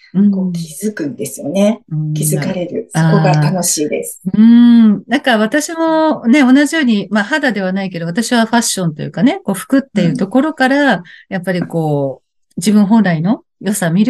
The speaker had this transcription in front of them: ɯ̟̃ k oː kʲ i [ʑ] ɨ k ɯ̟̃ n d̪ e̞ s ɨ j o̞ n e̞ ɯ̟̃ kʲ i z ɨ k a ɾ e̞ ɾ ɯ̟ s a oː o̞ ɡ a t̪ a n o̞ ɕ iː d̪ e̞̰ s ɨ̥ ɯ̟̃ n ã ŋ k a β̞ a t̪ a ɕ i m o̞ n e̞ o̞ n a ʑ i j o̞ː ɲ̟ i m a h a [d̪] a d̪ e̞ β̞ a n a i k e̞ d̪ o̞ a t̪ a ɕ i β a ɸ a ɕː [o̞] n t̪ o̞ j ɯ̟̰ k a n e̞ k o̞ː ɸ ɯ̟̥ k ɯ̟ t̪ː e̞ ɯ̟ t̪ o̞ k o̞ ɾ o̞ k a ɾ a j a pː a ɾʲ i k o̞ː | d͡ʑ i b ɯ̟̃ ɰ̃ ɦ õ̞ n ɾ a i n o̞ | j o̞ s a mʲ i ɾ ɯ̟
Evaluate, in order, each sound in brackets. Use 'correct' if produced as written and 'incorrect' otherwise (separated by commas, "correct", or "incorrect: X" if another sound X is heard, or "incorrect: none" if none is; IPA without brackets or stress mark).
incorrect: z, correct, incorrect: õ̞